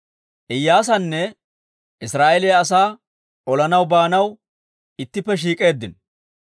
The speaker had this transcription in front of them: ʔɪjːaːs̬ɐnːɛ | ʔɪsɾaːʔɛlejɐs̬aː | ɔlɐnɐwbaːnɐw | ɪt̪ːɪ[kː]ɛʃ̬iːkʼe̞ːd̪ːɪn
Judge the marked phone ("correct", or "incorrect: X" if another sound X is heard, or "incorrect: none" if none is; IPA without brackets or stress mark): incorrect: pː